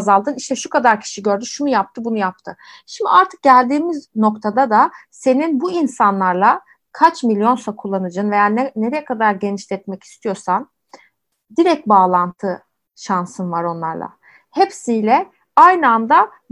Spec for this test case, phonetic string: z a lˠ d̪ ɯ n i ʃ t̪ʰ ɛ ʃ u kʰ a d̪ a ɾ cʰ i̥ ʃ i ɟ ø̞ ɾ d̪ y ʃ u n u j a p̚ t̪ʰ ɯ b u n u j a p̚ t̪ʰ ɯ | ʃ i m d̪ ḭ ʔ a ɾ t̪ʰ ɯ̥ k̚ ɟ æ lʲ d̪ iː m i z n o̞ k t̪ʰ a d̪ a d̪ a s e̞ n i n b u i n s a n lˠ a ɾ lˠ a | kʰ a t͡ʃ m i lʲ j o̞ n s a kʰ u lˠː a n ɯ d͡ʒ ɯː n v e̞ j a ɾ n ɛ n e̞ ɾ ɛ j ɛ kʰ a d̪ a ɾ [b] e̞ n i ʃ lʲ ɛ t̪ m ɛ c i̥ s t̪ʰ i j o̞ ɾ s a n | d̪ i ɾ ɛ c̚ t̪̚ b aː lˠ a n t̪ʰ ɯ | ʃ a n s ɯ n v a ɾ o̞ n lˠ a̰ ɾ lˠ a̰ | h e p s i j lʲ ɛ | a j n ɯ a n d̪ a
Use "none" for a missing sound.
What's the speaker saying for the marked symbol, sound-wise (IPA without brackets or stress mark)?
ɟ